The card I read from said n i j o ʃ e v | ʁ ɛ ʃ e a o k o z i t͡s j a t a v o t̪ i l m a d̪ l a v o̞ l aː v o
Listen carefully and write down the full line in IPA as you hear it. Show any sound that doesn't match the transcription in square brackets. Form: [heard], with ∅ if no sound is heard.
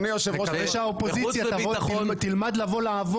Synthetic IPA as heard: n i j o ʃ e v | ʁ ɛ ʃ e a o [p] o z i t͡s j a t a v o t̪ i l m a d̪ l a v o̞ l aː v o